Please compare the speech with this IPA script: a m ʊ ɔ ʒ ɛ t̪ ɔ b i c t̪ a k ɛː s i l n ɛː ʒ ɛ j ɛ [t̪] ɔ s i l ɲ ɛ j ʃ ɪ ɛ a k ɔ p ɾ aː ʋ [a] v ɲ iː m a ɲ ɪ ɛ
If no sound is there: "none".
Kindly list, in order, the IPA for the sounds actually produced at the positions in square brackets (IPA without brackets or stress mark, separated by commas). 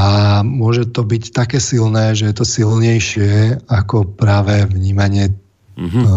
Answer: t̪, ɛ